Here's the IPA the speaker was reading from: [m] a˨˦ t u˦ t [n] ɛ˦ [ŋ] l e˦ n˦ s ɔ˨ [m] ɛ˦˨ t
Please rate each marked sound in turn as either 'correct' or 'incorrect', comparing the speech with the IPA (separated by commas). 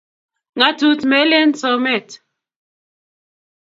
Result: incorrect, incorrect, incorrect, correct